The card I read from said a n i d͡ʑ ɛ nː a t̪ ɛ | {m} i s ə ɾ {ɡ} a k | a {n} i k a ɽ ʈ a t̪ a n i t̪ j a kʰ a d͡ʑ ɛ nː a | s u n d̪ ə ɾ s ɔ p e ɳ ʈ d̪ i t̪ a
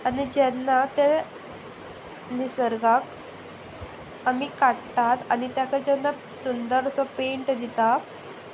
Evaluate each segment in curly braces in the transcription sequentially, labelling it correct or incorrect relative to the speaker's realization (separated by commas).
incorrect, correct, incorrect